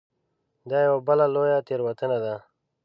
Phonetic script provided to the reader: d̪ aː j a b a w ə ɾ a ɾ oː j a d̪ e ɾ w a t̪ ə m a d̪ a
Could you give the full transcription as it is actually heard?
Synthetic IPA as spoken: d̪ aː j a w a b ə l a l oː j a t̪ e ɾ w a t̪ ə n a d̪ a